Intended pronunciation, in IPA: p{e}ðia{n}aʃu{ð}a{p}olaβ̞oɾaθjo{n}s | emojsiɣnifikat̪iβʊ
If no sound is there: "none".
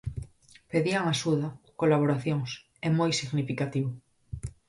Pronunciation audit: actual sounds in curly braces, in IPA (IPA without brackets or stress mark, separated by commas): e, ŋ, ð, k, ŋ